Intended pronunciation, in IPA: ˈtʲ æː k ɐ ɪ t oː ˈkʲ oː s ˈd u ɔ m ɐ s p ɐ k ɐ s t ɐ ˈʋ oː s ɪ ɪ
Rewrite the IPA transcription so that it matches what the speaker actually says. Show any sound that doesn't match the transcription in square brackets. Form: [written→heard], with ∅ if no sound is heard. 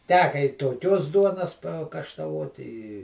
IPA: ˈtʲ æː k ɐ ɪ t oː ˈkʲ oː s ˈd u ɔ [m→n] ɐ s p ɐ k ɐ [s→ʃ] t ɐ ˈʋ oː [s→t] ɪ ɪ